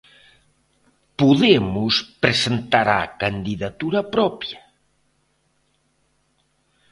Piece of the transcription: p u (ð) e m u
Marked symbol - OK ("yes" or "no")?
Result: yes